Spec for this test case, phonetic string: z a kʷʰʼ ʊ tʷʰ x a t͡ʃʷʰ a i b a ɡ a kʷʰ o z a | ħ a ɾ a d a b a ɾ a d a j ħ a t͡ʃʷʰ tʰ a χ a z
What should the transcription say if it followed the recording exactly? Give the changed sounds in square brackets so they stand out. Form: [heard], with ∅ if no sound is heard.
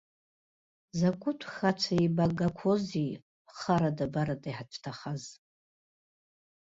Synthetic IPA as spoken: z a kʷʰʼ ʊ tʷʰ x a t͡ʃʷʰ a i b a ɡ a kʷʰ o z [i] | [χ] a ɾ a d a b a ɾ a d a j ħ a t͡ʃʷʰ tʰ a χ a z